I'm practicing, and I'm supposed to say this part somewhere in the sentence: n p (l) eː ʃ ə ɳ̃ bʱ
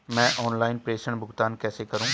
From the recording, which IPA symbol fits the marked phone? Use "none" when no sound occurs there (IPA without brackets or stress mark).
ɾ